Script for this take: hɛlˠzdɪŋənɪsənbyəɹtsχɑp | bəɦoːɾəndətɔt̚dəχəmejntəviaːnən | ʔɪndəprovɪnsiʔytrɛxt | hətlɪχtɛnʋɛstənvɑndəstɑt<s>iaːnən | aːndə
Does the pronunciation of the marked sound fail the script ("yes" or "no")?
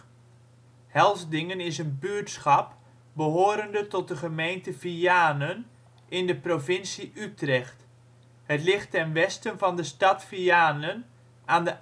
yes